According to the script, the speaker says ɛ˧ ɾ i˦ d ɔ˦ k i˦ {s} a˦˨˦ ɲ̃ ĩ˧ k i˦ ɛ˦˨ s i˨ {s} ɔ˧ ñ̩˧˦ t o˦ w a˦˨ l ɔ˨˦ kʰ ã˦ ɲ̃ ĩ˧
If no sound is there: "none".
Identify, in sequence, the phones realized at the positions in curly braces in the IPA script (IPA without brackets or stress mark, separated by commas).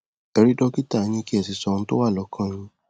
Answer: t, s